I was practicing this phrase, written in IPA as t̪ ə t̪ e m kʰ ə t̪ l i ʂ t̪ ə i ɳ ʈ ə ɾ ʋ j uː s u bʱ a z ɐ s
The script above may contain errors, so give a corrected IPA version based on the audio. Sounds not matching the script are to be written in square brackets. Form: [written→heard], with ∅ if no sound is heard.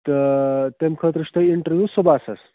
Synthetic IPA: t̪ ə t̪ e m kʰ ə t̪ [l→ɾ] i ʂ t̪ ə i ɳ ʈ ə ɾ ʋ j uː s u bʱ a [z→s] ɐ s

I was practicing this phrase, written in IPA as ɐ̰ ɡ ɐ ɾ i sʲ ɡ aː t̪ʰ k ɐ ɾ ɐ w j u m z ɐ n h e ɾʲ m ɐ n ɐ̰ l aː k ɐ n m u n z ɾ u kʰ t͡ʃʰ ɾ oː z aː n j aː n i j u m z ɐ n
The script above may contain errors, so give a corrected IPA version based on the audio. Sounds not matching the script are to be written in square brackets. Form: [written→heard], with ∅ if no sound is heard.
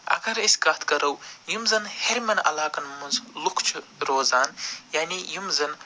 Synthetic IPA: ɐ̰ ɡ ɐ ɾ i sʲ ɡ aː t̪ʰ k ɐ ɾ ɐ w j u m z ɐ n h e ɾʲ m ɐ n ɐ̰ l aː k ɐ n m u n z [ɾ→l] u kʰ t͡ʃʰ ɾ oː z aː n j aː n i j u m z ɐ n

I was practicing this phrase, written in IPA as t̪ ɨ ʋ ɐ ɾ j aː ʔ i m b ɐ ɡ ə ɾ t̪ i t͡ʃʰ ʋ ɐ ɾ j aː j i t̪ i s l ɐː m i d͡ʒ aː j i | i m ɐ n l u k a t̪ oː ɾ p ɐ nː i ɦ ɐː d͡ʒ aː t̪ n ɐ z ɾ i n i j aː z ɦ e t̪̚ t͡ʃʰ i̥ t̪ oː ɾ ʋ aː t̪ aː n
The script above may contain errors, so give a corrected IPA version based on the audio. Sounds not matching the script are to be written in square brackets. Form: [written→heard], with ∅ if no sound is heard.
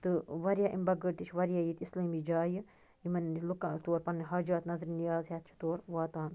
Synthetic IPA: t̪ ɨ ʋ ɐ ɾ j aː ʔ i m b ɐ ɡ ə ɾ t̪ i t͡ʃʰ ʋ ɐ ɾ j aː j i t̪ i s l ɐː m i d͡ʒ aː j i | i m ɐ n l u k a t̪ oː ɾ p ɐ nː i ɦ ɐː d͡ʒ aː t̪ n ɐ z ɾ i n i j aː z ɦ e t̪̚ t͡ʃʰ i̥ t̪ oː ɾ ʋ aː t̪ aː n

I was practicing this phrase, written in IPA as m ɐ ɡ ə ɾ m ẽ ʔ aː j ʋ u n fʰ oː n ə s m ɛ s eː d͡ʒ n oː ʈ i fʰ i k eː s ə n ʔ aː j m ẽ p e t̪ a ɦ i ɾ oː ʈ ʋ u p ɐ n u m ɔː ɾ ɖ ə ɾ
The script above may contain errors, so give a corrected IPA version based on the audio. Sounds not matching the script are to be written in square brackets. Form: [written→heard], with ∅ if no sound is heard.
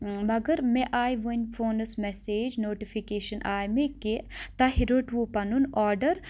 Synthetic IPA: m ɐ ɡ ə ɾ m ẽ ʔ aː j ʋ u n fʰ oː n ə s m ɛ s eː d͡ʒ n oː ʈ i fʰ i k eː [s→ʃ] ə n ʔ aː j m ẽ [p→k] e t̪ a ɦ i ɾ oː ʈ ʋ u p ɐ n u [m→n] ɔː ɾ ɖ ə ɾ

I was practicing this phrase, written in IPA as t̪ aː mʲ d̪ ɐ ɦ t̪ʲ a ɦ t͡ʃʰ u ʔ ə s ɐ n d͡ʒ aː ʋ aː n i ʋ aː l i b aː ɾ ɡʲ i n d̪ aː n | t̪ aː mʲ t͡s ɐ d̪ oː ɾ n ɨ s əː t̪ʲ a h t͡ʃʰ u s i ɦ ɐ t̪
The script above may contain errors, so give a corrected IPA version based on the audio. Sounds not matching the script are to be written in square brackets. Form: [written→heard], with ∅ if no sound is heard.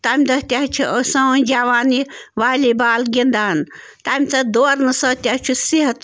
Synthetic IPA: t̪ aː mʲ d̪ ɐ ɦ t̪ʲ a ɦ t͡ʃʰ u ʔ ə s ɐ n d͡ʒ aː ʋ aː n i ʋ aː l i b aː [ɾ→l] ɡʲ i n d̪ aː n | t̪ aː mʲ t͡s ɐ d̪ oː ɾ n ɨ s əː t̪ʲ a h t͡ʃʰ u s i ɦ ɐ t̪

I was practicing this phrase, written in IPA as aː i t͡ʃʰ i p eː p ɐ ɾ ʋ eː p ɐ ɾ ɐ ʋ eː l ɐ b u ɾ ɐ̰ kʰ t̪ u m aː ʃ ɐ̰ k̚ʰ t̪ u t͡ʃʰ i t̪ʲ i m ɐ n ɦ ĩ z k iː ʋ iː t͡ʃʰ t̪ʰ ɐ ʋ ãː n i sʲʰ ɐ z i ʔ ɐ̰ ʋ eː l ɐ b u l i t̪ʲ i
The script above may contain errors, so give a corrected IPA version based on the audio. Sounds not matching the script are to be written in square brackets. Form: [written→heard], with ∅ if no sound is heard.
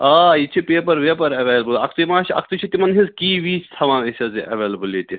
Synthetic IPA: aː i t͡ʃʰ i p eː p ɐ ɾ ʋ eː p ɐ ɾ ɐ ʋ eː l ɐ b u [ɾ→l] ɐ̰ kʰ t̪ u m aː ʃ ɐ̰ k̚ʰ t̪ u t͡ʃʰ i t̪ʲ i m ɐ n ɦ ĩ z k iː ʋ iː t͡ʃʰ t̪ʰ ɐ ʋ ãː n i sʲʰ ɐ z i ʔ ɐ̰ ʋ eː l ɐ b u l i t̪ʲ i

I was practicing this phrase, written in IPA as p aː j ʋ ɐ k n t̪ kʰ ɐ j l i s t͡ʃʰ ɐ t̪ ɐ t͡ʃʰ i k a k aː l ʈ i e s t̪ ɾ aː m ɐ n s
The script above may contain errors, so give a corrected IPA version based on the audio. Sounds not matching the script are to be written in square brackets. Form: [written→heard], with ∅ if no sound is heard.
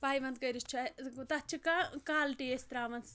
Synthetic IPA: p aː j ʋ ɐ [k→∅] n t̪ [kʰ→k] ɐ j [l→ɾ] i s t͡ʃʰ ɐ t̪ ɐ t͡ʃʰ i k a k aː l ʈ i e s t̪ ɾ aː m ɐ n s

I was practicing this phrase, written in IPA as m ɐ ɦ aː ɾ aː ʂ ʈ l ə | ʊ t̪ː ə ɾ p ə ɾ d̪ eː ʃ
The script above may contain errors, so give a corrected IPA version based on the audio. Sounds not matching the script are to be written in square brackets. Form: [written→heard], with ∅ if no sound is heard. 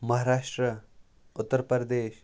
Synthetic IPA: m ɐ ɦ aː ɾ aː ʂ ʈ [l→ɾ] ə | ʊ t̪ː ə ɾ p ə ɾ d̪ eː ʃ

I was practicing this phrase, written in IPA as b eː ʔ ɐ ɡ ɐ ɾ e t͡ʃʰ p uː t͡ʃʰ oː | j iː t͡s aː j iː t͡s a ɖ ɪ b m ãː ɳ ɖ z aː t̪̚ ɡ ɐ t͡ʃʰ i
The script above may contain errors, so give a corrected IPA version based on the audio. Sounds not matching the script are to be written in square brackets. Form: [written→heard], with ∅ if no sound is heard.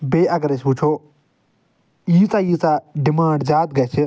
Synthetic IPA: b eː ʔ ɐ ɡ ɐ ɾ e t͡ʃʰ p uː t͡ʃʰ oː | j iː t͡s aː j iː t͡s a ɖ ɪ [b→∅] m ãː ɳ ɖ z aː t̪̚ ɡ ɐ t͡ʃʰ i

